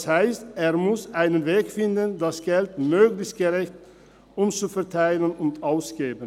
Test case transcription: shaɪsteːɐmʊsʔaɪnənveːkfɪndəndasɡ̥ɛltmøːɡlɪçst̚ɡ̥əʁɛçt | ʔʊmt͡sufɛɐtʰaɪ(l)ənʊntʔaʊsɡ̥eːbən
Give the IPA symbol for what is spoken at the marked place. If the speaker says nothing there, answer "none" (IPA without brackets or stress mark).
l